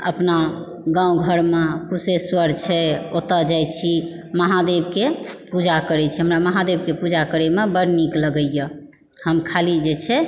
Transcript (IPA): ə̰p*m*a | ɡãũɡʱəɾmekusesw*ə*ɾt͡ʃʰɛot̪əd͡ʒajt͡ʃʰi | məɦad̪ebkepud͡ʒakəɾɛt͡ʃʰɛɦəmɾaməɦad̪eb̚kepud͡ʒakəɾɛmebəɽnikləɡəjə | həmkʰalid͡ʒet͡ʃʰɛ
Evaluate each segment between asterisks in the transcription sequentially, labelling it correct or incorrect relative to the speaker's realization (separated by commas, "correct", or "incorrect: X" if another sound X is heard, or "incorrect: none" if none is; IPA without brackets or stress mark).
incorrect: n, correct